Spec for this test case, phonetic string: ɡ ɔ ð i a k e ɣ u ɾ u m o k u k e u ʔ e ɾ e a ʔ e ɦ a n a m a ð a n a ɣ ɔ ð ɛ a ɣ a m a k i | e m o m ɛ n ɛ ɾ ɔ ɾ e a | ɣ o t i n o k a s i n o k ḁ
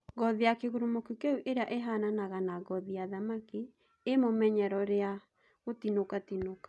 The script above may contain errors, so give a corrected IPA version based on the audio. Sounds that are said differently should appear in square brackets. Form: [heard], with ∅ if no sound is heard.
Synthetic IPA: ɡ ɔ ð i a k e ɣ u ɾ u m o k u k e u ʔ e ɾ e a ʔ e ɦ a n a [n] a [ɣ] a n a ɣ ɔ ð [i] a [ð] a m a k i | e m o m ɛ [ɲ] ɛ ɾ ɔ ɾ e a | ɣ o t i n o k a [t] i n o k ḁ